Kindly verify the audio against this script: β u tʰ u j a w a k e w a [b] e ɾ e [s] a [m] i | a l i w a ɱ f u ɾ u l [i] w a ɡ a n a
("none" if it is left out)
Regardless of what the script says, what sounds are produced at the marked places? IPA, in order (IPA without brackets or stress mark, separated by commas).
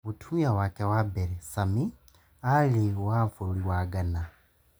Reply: b, s, m, i